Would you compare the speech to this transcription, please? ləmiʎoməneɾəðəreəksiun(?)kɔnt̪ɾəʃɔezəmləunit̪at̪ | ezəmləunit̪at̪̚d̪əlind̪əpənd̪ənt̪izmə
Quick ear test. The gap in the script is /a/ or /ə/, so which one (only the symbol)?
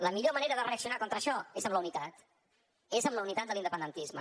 a